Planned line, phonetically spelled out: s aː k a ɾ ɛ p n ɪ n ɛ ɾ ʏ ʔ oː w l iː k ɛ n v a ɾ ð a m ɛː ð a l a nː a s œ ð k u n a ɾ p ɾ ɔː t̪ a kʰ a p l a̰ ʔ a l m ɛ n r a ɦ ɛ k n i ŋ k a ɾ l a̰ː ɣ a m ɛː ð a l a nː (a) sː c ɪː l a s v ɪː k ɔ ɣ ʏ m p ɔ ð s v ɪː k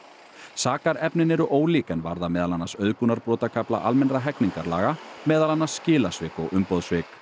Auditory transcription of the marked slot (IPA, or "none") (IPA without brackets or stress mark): a